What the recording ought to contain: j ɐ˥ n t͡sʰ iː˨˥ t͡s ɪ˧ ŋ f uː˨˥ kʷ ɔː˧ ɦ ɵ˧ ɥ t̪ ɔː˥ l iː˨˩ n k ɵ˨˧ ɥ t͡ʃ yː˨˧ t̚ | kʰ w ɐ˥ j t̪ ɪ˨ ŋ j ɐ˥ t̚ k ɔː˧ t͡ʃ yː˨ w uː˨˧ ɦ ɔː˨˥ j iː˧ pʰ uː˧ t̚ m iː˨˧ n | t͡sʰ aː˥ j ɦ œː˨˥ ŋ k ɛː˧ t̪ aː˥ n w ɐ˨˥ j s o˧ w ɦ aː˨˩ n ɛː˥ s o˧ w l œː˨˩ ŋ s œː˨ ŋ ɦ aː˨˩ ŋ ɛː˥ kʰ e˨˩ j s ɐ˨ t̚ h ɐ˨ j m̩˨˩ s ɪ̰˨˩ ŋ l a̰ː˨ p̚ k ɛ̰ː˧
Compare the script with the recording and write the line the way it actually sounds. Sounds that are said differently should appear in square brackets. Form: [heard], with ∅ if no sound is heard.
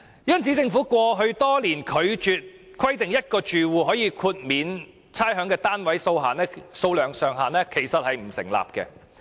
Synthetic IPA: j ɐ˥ n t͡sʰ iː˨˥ t͡s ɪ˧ ŋ f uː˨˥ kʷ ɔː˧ ɦ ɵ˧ ɥ t̪ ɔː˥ l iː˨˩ n [kʰ] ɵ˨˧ ɥ t͡ʃ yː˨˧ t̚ | kʰ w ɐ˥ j t̪ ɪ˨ ŋ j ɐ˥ t̚ k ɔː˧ t͡ʃ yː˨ w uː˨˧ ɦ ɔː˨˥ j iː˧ [kʰ] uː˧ t̚ m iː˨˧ n | t͡sʰ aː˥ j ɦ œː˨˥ ŋ k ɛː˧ t̪ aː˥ n w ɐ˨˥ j s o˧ w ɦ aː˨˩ n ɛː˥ s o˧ w l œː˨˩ ŋ s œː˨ ŋ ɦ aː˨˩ [n] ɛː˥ kʰ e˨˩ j s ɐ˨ t̚ h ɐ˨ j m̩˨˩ s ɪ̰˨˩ ŋ l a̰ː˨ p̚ k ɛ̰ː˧